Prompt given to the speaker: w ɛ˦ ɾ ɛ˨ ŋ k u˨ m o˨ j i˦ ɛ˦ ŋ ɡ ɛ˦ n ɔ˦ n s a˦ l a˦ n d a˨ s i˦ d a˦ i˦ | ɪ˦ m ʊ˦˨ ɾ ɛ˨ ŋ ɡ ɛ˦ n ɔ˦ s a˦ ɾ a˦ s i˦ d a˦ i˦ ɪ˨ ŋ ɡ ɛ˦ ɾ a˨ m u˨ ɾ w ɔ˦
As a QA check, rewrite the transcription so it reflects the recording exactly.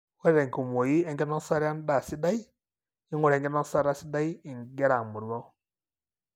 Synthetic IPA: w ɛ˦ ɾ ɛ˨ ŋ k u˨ m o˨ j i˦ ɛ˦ ŋ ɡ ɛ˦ n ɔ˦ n s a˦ ɾ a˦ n d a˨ s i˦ d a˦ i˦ | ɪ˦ ŋ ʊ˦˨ ɾ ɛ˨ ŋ ɡ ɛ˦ n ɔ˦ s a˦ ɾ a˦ s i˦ d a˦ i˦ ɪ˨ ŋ ɡ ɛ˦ ɾ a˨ m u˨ ɾ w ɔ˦